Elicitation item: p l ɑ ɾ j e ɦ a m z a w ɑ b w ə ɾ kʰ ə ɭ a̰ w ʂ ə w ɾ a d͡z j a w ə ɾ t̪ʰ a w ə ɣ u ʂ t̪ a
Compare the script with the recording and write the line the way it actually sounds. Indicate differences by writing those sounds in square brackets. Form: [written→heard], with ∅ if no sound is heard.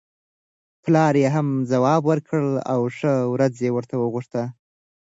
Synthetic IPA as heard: p l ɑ ɾ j e ɦ a m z a w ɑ b w ə ɾ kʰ ə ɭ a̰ w ʂ ə w ɾ a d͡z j [a→e] w ə ɾ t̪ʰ a w ə ɣ u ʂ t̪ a